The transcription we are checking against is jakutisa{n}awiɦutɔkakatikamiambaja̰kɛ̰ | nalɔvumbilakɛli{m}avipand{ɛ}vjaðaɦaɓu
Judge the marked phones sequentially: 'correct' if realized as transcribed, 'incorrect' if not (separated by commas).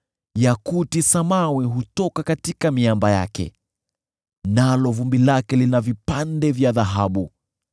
incorrect, incorrect, correct